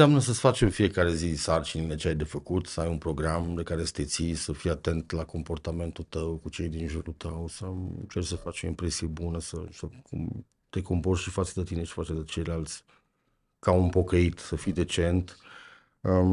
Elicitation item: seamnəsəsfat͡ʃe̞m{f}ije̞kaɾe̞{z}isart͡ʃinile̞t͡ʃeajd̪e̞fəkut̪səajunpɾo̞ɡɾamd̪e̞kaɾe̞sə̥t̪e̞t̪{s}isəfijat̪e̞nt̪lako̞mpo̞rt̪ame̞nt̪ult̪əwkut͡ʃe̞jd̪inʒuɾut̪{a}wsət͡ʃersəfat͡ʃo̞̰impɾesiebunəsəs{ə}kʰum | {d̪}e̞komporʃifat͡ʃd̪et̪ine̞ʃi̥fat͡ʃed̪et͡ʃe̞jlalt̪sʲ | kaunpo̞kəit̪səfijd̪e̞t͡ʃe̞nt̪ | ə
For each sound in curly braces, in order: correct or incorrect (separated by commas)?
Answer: correct, correct, correct, incorrect, correct, incorrect